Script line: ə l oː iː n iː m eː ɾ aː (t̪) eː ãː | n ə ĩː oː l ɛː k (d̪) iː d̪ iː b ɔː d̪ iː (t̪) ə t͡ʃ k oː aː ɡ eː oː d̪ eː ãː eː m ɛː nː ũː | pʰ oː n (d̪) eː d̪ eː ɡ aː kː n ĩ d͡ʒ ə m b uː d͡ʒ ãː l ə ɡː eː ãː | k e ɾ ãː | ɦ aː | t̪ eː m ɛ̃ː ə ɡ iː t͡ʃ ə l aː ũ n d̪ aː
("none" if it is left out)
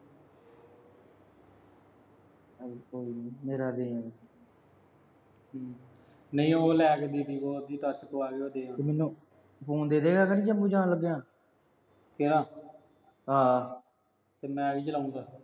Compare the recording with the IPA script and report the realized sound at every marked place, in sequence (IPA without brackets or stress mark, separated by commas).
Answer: d̪, d̪, t̪, d̪